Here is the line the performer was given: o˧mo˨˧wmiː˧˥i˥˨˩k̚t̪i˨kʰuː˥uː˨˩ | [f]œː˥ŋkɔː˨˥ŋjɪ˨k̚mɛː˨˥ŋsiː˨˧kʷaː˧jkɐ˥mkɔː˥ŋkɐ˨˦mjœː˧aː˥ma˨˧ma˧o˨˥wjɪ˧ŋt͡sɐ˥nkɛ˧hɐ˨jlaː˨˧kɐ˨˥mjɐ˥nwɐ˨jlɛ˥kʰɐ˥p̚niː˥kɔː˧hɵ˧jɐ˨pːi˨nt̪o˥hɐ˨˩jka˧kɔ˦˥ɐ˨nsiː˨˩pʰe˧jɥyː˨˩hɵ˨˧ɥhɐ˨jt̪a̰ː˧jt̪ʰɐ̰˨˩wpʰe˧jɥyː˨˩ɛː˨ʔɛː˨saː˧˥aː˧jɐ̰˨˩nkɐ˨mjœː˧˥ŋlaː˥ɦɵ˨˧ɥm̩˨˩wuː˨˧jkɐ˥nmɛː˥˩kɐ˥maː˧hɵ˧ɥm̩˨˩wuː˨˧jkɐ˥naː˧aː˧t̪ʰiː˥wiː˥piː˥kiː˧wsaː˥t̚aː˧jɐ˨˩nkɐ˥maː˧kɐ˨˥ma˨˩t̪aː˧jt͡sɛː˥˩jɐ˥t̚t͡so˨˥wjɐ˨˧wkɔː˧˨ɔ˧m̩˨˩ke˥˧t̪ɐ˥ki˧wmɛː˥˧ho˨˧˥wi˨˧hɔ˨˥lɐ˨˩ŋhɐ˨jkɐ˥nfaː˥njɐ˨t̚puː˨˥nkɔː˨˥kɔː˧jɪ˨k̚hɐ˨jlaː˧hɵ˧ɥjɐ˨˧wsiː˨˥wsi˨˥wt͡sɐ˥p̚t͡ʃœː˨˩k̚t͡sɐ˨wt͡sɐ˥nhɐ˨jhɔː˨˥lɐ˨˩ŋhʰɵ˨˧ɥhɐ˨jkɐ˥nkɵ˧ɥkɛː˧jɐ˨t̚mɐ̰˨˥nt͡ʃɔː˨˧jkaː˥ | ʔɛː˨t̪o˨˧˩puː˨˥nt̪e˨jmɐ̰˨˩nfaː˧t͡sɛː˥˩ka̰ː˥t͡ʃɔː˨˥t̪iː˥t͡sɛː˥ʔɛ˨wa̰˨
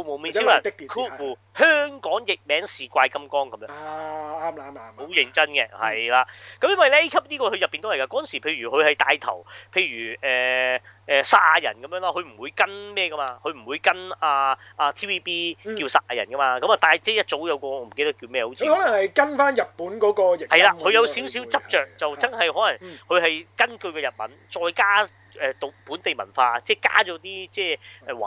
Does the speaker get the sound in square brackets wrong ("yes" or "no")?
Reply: yes